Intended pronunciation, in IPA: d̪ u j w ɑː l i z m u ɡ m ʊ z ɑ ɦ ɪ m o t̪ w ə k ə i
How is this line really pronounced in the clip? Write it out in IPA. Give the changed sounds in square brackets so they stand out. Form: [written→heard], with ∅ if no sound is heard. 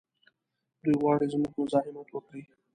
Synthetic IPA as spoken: d̪ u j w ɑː [l→ɽ] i z m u ɡ m ʊ z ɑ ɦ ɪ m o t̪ w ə k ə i